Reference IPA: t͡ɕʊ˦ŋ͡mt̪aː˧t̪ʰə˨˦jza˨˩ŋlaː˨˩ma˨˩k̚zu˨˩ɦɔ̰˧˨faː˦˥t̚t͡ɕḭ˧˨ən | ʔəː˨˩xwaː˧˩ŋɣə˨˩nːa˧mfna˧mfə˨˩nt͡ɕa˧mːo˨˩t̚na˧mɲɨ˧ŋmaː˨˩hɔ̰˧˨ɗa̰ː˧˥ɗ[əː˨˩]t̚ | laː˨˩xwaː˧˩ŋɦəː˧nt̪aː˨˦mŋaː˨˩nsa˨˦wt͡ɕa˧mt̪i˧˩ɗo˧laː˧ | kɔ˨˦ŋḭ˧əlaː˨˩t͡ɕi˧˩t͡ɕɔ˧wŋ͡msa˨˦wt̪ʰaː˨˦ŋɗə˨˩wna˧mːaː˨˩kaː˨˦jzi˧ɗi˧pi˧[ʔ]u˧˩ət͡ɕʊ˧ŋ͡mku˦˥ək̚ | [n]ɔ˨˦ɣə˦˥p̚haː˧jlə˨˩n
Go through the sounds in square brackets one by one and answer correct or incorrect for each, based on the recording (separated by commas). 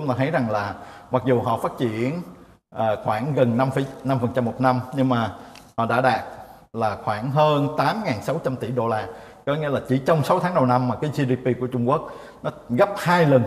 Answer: incorrect, incorrect, correct